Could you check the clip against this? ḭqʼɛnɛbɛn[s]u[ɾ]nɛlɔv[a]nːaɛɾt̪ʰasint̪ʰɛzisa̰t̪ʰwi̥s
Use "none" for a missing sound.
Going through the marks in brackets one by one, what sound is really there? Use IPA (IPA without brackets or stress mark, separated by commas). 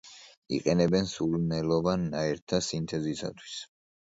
s, l, a